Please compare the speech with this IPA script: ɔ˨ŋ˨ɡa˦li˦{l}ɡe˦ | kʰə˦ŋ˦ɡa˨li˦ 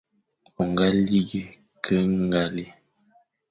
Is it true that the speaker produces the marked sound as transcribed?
no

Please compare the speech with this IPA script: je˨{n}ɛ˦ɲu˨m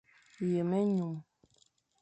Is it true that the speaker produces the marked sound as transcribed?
no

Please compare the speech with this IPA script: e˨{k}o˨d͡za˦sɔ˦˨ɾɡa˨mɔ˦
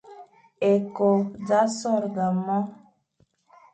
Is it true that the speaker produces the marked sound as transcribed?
yes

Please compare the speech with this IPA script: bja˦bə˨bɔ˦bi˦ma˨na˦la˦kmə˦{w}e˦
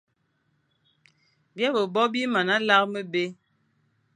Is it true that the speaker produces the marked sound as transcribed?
no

